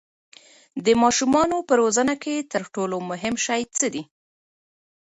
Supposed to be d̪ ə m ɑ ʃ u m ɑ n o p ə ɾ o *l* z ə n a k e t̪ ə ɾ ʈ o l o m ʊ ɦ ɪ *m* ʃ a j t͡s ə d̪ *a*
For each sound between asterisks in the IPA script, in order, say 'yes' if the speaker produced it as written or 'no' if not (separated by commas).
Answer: no, yes, no